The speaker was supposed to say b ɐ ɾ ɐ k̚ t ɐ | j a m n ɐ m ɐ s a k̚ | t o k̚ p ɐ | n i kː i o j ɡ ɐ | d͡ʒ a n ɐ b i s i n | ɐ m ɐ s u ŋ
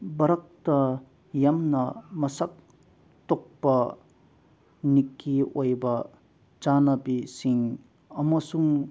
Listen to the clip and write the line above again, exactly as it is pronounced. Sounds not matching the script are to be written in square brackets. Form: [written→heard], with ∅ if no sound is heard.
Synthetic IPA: b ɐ ɾ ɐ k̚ t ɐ | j a m n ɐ m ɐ s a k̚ | t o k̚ p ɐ | n i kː i o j [ɡ→b] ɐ | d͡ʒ a n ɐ b i s i [n→ŋ] | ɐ m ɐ s u ŋ